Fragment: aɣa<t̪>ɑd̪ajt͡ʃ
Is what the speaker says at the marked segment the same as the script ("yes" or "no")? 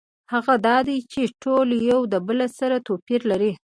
no